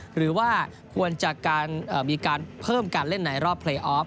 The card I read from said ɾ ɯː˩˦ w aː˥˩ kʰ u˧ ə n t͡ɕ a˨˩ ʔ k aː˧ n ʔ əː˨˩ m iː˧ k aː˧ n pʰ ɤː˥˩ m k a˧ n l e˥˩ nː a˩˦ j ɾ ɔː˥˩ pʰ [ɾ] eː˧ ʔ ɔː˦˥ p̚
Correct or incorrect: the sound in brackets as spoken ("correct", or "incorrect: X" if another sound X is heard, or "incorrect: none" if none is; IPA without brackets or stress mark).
incorrect: l